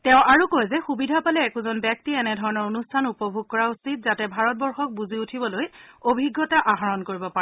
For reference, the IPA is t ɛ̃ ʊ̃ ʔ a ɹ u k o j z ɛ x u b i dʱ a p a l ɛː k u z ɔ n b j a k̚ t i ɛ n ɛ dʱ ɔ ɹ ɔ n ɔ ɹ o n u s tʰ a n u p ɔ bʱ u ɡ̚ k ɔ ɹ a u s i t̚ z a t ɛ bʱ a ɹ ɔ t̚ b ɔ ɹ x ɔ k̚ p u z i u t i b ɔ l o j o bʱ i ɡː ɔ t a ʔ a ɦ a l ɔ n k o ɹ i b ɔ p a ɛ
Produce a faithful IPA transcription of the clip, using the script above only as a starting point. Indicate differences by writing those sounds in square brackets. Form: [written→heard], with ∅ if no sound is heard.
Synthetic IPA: t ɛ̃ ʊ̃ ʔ a ɹ u k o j z ɛ x u b i dʱ a p a l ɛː k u z ɔ n b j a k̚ t i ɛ n ɛ dʱ ɔ ɹ ɔ n ɔ ɹ o n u s tʰ a n u p ɔ bʱ u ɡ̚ k ɔ ɹ a u s i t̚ z a t ɛ bʱ a ɹ ɔ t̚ b ɔ ɹ x ɔ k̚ [p→b] u z i u [t→tʰ] i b ɔ l o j o bʱ i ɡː ɔ t a ʔ a ɦ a [l→ɹ] ɔ n k o ɹ i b ɔ p a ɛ

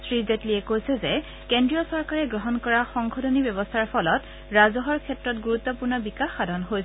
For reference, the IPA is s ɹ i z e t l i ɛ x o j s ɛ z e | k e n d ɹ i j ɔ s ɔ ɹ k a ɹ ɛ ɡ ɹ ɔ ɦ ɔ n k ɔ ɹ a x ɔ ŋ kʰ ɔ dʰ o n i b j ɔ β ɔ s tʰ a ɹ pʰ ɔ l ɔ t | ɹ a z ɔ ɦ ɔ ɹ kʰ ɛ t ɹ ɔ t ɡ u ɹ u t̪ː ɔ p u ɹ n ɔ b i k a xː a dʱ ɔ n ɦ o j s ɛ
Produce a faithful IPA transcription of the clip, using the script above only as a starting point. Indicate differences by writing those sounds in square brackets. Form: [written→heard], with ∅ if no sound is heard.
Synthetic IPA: s ɹ i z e t l i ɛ [x→k] o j s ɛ z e | k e n d ɹ i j ɔ s ɔ ɹ k a ɹ ɛ ɡ ɹ ɔ ɦ ɔ n k ɔ ɹ a x ɔ ŋ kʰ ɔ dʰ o n i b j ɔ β ɔ s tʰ a ɹ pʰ ɔ l ɔ t | ɹ a z ɔ ɦ ɔ ɹ kʰ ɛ t ɹ ɔ t ɡ u ɹ u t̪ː ɔ p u ɹ n ɔ b i k a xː a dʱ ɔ n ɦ o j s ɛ

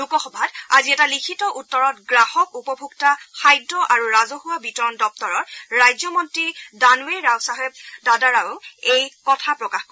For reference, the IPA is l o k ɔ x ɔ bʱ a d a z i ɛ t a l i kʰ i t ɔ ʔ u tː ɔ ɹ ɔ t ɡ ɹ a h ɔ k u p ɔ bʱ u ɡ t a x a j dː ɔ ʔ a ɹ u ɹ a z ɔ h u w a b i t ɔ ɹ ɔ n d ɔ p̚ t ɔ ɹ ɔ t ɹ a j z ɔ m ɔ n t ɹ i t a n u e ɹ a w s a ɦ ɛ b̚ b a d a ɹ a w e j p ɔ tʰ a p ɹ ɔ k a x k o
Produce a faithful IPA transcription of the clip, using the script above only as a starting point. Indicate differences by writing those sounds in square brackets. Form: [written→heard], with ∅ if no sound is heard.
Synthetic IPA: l [o→u] k ɔ x ɔ bʱ a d a z i ɛ t a l i kʰ i t ɔ ʔ u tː ɔ ɹ ɔ t ɡ ɹ a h ɔ k u p ɔ bʱ u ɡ t a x a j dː ɔ ʔ a ɹ u ɹ a z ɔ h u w a b i t ɔ ɹ ɔ n d ɔ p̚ t ɔ ɹ ɔ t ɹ a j z ɔ m ɔ n t ɹ i [t→d] a n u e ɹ a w s a ɦ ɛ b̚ [b→d] a d a ɹ a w e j [p→k] ɔ tʰ a p ɹ ɔ k a x k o

